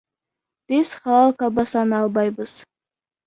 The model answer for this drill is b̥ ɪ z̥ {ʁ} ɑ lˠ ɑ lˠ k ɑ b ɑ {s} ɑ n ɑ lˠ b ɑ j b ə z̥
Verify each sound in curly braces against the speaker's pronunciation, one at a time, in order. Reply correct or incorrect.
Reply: incorrect, correct

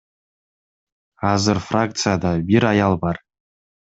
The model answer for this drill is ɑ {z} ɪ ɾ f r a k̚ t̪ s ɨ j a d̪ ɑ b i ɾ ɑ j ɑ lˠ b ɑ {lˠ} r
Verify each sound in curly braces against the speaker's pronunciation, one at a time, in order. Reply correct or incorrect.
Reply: correct, incorrect

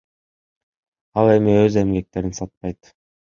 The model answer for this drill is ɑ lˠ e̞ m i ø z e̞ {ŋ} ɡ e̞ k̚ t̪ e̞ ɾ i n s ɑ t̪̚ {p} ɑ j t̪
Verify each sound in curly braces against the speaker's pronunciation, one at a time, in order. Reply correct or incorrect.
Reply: incorrect, correct

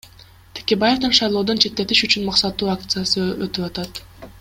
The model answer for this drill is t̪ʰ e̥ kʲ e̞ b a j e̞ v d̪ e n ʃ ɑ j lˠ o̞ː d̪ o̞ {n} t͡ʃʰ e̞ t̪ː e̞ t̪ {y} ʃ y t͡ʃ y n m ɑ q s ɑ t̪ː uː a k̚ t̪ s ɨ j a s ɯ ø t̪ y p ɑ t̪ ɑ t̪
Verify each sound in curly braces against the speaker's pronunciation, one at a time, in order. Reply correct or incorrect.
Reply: correct, incorrect

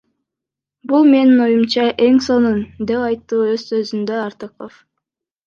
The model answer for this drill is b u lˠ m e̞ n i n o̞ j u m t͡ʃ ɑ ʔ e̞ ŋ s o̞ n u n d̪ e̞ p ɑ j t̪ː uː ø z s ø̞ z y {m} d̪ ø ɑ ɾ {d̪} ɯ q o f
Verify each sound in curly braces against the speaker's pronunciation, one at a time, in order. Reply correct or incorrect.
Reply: incorrect, incorrect

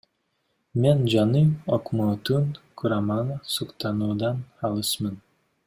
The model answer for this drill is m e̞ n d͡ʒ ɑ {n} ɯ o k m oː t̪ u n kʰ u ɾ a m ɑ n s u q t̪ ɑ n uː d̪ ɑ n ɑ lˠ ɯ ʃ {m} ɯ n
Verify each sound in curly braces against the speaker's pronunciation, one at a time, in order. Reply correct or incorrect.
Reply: correct, correct

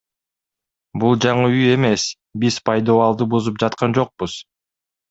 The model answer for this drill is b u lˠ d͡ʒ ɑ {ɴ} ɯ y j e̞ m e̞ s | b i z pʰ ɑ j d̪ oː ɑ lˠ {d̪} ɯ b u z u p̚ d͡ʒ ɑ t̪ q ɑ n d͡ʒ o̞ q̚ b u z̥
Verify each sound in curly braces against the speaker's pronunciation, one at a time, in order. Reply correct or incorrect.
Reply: correct, correct

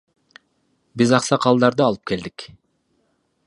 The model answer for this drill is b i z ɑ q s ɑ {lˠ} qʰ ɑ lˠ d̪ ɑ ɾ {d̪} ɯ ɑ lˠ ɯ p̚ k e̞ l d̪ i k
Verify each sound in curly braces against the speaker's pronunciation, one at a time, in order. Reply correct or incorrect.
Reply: incorrect, correct

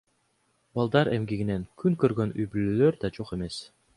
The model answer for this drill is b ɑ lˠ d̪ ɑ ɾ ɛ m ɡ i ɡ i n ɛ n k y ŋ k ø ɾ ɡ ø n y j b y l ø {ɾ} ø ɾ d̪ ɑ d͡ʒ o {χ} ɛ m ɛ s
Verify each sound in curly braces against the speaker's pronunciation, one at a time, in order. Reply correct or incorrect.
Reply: incorrect, correct

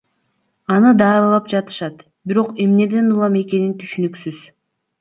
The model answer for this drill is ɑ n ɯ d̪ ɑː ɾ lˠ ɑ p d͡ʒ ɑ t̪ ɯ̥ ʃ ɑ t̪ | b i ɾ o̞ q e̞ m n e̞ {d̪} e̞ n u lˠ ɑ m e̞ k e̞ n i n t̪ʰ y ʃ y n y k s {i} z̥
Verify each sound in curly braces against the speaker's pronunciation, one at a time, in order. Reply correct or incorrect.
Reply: correct, incorrect

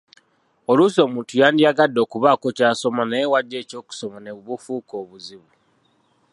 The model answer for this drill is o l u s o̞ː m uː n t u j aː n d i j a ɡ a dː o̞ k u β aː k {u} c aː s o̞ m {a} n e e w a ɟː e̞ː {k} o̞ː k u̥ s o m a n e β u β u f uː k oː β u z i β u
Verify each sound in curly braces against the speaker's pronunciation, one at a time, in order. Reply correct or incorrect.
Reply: incorrect, correct, incorrect

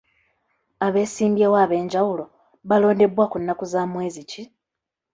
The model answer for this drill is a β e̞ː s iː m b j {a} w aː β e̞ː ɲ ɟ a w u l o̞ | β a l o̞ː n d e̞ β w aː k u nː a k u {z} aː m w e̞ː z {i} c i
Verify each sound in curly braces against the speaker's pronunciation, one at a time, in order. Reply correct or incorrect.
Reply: incorrect, correct, correct

